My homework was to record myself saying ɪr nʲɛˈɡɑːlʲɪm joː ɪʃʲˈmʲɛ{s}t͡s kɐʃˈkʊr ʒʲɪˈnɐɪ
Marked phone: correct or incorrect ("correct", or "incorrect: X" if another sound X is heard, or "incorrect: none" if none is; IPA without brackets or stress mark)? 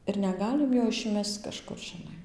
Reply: correct